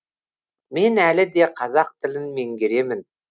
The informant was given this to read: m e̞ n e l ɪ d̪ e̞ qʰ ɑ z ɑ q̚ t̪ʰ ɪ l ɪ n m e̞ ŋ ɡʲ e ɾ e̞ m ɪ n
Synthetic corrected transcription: m e̞ n æ l ɪ d̪ e̞ qʰ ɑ z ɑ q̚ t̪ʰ ɪ l ɪ n m e̞ ŋ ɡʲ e ɾ e̞ m ɪ n